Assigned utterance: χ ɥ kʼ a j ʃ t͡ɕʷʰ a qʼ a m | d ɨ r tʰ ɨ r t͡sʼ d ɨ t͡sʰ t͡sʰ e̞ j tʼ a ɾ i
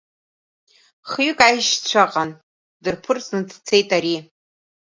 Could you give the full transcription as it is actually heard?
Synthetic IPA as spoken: χ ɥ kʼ a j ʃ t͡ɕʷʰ a qʼ a n | d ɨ r pʰ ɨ r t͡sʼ n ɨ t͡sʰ t͡sʰ e̞ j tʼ a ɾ i